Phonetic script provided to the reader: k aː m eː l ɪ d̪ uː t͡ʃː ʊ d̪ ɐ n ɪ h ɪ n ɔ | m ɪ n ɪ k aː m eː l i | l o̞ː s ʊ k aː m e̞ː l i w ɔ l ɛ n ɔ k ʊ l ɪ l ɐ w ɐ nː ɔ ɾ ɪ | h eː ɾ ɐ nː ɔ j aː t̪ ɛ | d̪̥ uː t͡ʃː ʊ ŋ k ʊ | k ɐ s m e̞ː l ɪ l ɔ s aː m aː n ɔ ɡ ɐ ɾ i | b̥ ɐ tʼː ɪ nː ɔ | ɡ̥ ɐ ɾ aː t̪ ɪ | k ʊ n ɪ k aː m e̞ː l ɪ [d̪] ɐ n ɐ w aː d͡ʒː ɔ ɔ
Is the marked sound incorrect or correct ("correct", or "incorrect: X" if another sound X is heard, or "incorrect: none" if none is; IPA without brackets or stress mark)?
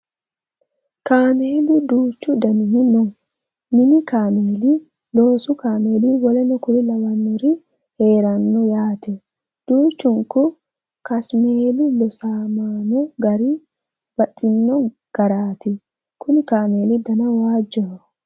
correct